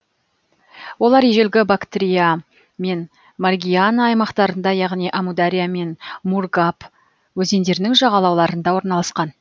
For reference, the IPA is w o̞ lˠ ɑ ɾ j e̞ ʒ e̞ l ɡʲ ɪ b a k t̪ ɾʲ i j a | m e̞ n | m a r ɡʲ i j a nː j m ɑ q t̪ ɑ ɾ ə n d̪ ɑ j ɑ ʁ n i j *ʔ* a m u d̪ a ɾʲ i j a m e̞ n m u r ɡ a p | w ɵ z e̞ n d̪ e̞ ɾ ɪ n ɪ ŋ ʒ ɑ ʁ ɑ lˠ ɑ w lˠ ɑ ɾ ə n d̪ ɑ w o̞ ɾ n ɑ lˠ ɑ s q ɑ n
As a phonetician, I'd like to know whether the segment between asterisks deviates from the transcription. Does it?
no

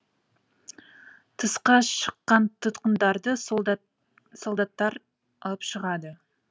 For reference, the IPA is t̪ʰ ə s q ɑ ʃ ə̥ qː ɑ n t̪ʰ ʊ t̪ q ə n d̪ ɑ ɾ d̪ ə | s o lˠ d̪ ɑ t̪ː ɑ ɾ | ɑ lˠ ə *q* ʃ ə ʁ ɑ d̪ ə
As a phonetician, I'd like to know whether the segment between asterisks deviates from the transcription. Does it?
yes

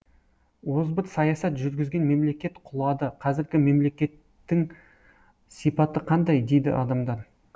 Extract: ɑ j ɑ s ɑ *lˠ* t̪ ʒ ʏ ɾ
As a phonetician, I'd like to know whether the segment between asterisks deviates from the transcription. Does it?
yes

